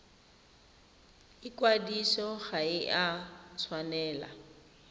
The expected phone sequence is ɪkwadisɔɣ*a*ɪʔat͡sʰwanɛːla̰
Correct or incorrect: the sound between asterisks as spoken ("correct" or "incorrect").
correct